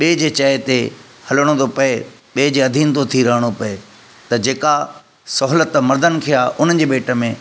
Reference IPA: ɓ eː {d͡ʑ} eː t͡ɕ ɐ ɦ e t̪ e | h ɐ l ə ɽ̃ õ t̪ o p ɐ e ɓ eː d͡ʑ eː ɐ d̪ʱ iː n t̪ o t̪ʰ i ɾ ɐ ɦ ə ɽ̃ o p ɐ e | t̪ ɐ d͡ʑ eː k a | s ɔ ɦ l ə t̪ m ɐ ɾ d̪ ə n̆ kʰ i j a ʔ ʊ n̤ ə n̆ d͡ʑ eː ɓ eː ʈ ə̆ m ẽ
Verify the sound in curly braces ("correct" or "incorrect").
correct